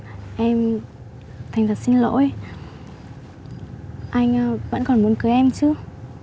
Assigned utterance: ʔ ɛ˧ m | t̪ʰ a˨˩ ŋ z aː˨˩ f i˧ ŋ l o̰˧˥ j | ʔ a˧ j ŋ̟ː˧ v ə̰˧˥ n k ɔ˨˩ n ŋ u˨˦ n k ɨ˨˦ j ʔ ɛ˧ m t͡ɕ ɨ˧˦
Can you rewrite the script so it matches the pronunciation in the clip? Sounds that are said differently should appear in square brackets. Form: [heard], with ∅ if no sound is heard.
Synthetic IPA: ʔ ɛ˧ m | t̪ʰ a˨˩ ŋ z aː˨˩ [s] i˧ [n] l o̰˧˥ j | ʔ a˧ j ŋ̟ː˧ v ə̰˧˥ n k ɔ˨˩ n [m] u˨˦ n k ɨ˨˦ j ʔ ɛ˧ m t͡ɕ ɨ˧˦